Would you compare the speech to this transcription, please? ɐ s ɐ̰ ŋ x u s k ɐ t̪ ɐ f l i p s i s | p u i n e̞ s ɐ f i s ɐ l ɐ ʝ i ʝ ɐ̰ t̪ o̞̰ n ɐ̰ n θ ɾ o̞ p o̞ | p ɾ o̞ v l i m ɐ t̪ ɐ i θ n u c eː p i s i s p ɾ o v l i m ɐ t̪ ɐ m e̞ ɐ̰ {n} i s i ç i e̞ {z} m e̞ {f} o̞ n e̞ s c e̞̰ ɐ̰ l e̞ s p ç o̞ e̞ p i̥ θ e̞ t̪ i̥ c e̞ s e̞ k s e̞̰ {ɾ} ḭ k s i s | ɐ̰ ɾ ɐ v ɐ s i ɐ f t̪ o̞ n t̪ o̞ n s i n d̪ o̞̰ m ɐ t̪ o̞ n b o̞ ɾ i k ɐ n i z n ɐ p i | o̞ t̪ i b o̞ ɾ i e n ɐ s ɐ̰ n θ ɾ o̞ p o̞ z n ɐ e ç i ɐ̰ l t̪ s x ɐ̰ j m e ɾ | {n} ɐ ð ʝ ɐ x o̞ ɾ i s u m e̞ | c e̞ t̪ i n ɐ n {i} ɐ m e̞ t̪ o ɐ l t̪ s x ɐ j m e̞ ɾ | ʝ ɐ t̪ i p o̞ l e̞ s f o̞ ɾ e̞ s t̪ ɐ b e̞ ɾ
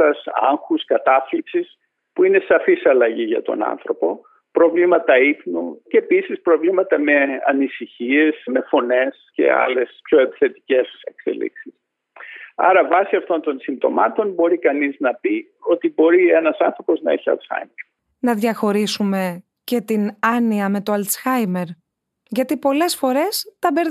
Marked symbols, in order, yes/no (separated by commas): yes, no, yes, no, yes, yes